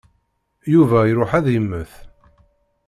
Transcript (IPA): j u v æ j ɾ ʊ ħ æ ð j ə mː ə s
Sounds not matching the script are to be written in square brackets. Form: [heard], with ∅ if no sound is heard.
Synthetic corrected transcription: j u v æ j ɾ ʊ ħ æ ð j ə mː ə [θ]